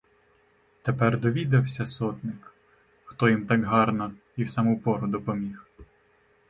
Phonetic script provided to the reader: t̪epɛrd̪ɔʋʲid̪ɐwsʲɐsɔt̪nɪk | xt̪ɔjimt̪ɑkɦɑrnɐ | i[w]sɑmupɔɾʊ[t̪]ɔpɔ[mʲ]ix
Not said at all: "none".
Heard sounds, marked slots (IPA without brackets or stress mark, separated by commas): w, d̪, mʲ